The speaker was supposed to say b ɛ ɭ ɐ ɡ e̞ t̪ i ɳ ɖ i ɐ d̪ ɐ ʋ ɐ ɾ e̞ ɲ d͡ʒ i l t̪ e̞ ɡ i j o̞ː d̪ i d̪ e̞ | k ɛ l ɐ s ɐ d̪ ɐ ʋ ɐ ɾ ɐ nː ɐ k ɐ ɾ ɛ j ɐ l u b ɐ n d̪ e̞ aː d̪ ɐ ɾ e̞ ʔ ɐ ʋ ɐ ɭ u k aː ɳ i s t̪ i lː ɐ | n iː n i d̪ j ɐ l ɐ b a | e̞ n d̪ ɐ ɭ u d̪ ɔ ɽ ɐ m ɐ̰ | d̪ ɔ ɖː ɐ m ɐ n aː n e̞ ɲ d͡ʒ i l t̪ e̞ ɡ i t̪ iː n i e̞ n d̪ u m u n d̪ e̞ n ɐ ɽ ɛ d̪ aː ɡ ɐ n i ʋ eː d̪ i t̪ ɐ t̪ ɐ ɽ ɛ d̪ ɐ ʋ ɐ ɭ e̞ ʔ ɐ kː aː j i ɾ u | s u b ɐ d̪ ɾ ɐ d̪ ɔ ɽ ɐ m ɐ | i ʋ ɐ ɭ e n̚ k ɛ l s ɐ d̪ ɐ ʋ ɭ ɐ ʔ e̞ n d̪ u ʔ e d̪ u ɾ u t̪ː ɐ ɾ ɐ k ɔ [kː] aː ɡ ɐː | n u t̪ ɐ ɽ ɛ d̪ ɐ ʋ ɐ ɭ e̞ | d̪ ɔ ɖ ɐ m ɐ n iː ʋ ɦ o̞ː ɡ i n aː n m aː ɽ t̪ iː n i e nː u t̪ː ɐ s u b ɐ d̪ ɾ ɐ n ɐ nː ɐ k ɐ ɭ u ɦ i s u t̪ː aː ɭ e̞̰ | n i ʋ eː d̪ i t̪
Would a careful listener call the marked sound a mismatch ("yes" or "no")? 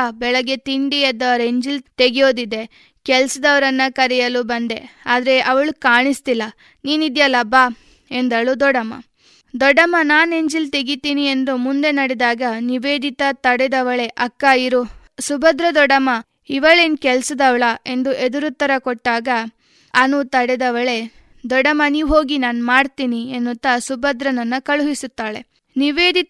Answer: yes